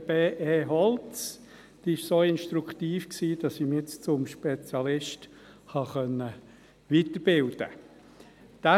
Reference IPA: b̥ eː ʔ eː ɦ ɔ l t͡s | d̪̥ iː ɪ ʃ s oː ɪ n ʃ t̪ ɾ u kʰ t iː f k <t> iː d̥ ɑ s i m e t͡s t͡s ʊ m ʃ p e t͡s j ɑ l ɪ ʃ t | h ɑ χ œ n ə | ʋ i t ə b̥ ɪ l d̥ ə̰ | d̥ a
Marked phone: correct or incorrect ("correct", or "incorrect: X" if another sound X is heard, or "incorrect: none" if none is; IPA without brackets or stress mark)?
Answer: incorrect: s